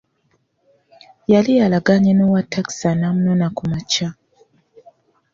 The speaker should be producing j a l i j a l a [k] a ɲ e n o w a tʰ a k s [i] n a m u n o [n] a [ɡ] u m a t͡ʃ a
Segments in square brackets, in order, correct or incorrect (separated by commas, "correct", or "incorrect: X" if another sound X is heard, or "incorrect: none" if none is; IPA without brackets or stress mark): incorrect: ɡ, incorrect: a, correct, incorrect: k